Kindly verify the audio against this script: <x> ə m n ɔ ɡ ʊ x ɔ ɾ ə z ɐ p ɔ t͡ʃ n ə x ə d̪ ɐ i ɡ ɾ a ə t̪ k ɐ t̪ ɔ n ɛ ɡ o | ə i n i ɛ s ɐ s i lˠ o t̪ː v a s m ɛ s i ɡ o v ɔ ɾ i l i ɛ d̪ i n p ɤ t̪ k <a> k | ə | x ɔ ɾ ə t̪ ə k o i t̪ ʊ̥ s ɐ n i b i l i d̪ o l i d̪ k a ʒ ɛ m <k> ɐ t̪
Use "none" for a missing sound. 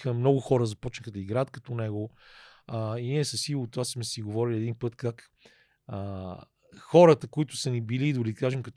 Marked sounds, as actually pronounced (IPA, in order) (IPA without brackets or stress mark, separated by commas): x, a, k